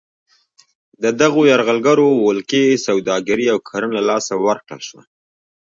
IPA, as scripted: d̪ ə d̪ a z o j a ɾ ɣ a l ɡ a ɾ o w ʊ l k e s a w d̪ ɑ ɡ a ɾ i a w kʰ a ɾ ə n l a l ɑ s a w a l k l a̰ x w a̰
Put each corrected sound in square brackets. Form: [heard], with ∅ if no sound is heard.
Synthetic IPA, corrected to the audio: d̪ ə d̪ a [ɣ] o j a ɾ ɣ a l ɡ a ɾ o w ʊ l k e s a w d̪ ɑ ɡ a ɾ i a w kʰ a ɾ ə n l a l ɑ s a w a [ɾ] k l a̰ [ʃ] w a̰